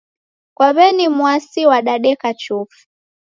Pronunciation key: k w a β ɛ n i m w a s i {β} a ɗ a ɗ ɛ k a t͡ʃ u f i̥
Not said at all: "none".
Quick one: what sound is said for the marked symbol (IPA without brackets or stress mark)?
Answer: w